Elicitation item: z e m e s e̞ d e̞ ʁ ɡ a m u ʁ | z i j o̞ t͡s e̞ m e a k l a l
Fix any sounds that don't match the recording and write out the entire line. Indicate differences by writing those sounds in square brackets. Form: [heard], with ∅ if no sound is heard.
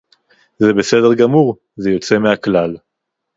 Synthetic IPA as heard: z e [b] e s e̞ d e̞ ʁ ɡ a m u ʁ | z [e] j o̞ t͡s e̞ m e a k l a l

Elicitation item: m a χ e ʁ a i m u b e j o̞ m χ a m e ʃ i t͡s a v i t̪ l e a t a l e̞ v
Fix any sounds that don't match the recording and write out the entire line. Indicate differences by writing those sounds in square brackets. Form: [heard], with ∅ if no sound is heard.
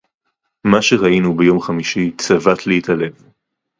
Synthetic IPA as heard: m a [ʃ] e ʁ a i [n] u b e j o̞ m χ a m [i] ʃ i t͡s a v [a] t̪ l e [i] t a l e̞ v

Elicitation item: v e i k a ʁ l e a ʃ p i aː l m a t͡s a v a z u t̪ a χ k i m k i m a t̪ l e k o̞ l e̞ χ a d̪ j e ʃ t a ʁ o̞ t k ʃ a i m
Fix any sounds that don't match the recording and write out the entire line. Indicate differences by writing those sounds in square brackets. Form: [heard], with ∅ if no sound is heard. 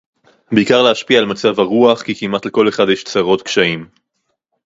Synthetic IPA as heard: [b] e i k a ʁ l e a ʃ p i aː l m a t͡s a v a [ʁ] u [∅] a χ k i [∅] k i m a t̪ l e k o̞ l e̞ χ a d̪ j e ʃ [t͡s] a ʁ o̞ t k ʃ a i m

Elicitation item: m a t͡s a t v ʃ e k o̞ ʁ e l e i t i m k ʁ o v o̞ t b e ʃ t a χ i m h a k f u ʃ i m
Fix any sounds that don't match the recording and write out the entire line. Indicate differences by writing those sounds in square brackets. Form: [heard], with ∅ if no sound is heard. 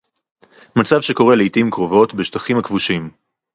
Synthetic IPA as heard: m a t͡s a [∅] v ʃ e k o̞ ʁ e l e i t i m k ʁ o v o̞ t b e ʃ t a χ i m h a k [v] u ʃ i m

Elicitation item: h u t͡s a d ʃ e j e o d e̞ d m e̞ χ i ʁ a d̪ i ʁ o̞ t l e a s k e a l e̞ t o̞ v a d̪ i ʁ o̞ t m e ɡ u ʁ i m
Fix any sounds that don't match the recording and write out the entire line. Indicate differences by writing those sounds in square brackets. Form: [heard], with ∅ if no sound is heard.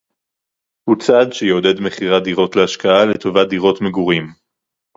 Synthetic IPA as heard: h u t͡s a d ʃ e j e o d e̞ d m e̞ χ i ʁ a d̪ i ʁ o̞ t l e a [ʃ] k [a] a l e̞ t o̞ v a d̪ i ʁ o̞ t m e ɡ u ʁ i m

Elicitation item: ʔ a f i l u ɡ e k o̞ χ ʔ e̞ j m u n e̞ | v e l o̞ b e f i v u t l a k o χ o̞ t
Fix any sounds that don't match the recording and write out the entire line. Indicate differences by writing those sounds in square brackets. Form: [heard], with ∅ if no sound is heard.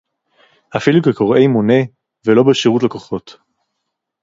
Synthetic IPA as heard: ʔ a f i l u [k] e k o̞ [ʁ] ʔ e̞ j m [o] n e̞ | v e l o̞ b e [ʃ] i [ʁ] u t l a k o χ o̞ t

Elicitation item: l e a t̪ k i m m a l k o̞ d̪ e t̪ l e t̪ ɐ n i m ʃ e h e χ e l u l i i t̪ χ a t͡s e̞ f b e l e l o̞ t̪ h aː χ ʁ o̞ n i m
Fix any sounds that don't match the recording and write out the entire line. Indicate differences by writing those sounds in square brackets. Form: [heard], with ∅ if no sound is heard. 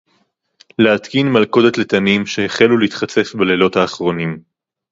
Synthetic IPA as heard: l e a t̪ k i [n] m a l k o̞ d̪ e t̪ l e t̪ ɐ n i m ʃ e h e χ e l u l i i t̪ χ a t͡s e̞ f b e l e l o̞ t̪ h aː χ ʁ o̞ n i m

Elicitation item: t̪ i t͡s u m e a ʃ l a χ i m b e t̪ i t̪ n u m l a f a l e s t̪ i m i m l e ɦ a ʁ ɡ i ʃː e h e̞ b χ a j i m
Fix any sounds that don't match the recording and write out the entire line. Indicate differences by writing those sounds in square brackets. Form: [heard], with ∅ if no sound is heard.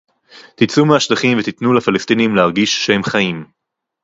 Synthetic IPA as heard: t̪ i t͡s u m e a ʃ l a χ i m [v] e t̪ i t̪ n u [∅] l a f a l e s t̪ i [n] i m l e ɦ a ʁ ɡ i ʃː e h e̞ [m] χ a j i m

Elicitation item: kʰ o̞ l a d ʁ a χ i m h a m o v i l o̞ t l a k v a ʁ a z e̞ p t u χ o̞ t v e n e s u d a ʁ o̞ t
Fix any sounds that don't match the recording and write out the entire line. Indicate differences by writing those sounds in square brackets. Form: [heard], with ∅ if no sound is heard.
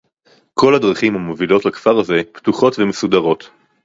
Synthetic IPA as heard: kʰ o̞ l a d ʁ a χ i m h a m o v i l o̞ t l a k [f] a ʁ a z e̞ p t u χ o̞ t v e [m] e s u d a ʁ o̞ t

